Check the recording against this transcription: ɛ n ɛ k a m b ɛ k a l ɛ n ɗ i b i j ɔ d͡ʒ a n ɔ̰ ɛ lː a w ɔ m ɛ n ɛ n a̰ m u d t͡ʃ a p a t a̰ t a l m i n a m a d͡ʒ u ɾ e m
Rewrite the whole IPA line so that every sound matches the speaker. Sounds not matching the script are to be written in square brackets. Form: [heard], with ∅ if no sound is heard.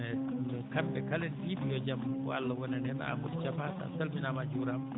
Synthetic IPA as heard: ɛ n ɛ k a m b ɛ k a l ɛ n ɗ i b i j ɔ d͡ʒ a [m] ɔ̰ [a] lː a w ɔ [n] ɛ n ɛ n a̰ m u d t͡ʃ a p a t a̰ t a l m i n a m a d͡ʒ u ɾ [a] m